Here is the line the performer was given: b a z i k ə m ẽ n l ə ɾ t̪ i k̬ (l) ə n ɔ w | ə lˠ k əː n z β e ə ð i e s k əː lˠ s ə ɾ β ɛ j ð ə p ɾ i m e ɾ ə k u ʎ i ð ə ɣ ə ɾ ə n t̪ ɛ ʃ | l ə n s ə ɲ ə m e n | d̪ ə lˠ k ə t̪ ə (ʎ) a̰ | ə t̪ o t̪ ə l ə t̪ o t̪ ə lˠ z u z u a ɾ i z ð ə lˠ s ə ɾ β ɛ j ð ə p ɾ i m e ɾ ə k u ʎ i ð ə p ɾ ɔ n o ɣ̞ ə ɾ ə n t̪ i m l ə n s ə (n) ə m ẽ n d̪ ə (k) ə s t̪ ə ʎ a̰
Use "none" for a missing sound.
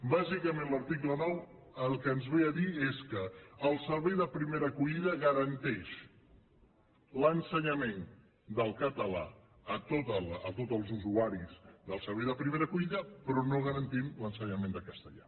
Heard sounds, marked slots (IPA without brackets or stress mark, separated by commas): l, l, ɲ, k